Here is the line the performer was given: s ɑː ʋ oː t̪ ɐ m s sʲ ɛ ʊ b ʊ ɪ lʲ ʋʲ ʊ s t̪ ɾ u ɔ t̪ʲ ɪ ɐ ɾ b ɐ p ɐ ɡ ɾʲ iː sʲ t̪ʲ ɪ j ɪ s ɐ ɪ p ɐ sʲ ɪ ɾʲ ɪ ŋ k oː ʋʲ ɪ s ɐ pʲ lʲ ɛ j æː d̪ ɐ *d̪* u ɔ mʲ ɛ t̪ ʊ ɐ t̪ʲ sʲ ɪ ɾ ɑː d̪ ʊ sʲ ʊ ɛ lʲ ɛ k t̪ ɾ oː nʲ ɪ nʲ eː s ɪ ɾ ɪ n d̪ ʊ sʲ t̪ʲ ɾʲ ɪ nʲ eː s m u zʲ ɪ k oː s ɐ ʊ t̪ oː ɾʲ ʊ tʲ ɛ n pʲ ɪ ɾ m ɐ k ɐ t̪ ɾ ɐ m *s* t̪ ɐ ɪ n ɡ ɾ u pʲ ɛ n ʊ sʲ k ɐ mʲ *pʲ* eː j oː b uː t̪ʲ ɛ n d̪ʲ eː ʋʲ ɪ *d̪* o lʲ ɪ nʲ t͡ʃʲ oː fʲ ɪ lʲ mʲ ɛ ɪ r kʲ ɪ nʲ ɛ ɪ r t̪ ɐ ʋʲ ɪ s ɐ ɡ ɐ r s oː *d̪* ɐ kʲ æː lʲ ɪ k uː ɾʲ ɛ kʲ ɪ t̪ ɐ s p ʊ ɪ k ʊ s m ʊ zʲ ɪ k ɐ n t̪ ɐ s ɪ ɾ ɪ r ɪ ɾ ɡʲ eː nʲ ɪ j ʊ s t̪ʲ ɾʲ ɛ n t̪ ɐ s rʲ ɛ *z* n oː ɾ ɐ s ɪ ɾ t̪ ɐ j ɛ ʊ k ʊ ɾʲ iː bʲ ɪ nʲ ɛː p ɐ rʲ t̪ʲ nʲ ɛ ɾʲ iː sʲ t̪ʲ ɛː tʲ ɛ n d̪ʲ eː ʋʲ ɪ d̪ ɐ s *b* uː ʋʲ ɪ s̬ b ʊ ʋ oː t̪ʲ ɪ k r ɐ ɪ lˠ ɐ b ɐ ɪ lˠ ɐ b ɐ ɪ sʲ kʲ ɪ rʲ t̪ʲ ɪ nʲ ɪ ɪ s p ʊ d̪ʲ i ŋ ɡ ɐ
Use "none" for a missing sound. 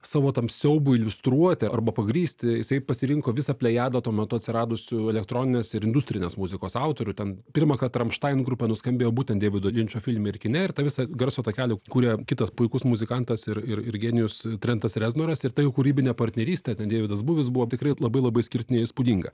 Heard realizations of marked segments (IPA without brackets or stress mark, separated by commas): t̪, ʃ, bʲ, d̪, t̪, z, b